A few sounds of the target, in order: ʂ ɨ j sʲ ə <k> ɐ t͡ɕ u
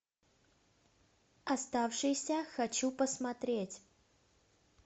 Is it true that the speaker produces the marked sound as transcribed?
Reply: no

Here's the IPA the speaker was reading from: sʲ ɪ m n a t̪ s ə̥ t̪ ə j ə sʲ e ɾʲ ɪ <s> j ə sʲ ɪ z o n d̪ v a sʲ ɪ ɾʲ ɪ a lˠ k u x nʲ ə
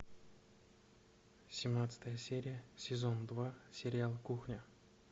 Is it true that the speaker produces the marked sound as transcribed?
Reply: no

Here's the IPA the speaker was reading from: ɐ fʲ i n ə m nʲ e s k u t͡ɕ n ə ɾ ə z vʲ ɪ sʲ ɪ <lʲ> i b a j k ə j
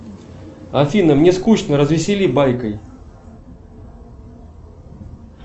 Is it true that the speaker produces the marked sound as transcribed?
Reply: yes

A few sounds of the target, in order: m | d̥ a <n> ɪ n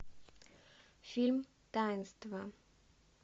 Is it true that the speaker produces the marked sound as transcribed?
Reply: no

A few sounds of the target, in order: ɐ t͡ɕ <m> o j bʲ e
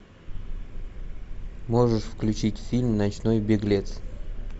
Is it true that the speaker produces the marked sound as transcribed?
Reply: no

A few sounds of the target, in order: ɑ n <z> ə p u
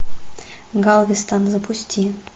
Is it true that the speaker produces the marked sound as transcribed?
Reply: yes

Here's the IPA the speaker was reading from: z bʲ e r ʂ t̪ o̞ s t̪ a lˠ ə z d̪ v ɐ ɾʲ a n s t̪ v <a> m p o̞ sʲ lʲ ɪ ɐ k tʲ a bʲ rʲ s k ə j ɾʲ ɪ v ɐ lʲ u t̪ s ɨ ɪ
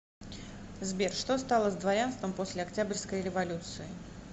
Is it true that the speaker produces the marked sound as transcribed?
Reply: no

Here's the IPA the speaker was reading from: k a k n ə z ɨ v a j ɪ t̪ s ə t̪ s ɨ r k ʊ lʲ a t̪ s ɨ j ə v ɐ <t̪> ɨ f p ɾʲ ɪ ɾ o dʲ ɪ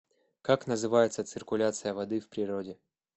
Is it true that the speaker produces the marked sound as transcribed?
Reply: no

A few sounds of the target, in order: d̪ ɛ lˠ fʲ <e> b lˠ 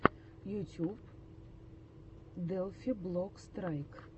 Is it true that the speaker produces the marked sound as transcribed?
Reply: no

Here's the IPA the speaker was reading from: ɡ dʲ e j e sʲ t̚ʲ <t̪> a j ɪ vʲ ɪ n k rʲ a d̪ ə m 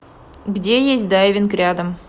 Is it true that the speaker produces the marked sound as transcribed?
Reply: no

